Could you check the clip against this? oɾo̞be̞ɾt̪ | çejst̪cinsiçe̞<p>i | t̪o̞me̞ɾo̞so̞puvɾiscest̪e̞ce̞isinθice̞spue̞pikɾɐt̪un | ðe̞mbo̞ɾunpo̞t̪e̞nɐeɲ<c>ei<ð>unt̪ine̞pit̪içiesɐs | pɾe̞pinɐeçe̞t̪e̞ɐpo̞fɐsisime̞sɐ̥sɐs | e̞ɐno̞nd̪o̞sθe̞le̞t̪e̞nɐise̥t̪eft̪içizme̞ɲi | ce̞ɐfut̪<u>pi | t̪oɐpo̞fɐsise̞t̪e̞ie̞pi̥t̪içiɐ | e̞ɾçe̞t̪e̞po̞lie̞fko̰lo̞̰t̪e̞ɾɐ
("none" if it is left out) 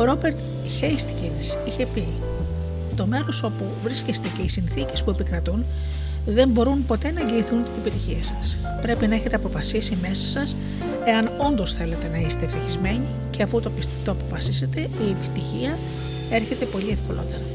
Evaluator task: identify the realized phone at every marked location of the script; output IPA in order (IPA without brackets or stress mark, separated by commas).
p, ɟ, θ, o